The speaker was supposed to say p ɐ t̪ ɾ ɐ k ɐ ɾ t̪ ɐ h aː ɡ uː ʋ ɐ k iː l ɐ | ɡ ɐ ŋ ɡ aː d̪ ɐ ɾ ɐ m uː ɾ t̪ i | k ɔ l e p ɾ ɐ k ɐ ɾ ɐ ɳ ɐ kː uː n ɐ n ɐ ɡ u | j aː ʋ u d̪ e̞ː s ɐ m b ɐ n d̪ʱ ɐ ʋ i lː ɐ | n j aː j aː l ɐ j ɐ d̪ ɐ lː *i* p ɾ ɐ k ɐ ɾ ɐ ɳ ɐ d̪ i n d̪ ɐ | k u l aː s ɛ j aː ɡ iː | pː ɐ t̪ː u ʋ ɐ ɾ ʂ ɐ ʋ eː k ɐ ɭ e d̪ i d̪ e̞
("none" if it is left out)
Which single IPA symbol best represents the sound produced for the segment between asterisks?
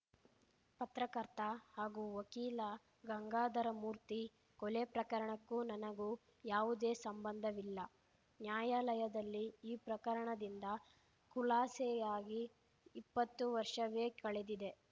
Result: iː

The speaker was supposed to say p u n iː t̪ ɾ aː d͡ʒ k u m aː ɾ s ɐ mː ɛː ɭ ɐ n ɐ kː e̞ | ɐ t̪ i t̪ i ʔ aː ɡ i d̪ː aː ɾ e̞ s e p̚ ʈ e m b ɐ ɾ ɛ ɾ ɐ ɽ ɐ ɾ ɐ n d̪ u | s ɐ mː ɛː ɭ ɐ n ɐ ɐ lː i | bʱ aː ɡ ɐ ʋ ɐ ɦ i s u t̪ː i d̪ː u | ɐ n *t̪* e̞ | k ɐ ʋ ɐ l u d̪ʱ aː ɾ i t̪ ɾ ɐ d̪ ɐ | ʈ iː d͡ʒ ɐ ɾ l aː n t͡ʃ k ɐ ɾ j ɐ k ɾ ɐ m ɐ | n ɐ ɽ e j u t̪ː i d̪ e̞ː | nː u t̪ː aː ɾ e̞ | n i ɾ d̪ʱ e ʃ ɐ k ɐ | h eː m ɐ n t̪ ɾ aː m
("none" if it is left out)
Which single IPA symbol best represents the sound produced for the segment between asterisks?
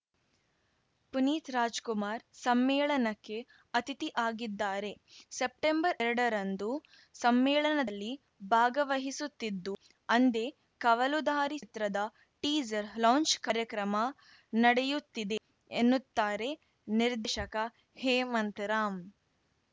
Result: d̪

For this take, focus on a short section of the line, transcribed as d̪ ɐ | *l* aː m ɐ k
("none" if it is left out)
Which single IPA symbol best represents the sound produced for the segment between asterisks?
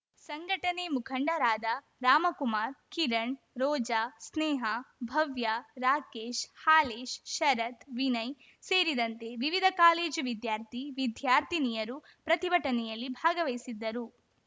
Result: ɾ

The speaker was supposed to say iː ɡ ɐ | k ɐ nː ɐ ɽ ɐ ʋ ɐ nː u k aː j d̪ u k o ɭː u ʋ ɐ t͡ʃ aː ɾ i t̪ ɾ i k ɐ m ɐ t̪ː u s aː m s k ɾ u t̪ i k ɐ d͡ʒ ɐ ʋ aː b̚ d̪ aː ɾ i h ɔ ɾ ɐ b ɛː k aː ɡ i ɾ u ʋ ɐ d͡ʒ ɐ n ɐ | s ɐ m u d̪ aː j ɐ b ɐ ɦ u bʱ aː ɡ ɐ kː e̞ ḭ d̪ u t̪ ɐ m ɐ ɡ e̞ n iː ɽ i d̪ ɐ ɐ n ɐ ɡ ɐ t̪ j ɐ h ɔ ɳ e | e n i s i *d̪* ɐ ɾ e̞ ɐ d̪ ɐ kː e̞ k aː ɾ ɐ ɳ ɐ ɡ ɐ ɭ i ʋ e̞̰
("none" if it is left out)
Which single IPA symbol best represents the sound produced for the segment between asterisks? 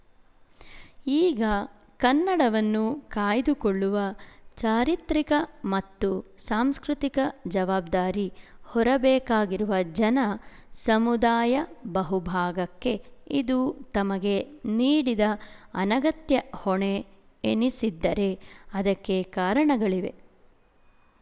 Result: d̪ː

